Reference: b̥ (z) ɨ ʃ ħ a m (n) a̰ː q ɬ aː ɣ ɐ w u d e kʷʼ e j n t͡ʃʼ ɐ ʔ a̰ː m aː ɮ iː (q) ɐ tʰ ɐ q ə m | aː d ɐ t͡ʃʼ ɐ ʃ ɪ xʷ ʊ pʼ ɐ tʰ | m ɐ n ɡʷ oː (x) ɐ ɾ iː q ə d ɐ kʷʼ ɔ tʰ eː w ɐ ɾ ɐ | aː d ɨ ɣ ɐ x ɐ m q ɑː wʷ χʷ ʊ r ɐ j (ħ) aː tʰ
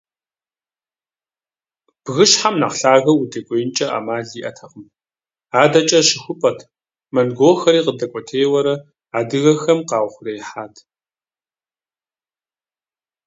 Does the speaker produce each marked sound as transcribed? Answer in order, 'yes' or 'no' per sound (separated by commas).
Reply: no, yes, no, yes, yes